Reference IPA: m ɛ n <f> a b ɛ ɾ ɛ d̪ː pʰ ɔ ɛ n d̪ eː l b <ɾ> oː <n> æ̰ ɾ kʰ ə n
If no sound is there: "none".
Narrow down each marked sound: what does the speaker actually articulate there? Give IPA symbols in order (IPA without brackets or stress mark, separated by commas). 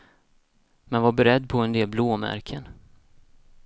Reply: v, l, m